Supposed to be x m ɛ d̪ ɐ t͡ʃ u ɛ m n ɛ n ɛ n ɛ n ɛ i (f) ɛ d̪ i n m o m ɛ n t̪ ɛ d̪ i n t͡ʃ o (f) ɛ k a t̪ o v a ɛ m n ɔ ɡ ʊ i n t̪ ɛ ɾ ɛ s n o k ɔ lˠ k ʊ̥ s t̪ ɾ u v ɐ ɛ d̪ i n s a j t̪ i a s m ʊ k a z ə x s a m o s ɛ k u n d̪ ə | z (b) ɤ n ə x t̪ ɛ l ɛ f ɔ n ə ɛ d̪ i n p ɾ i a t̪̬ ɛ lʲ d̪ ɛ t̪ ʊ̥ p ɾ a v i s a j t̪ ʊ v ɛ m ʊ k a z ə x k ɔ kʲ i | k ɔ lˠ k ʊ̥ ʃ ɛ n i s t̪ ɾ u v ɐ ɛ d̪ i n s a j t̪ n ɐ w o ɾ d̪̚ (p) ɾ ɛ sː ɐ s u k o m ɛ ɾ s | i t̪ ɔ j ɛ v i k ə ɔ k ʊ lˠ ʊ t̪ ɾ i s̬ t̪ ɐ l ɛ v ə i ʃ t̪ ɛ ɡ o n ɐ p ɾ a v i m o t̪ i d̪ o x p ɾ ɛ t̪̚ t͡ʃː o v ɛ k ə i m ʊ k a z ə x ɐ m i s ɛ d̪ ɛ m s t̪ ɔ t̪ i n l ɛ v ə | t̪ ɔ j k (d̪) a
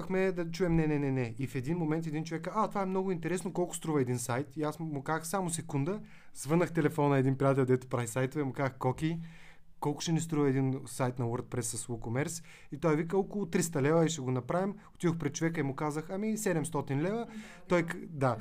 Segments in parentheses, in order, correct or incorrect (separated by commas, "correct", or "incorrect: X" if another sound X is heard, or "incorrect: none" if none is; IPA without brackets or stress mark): correct, incorrect: v, incorrect: v, correct, correct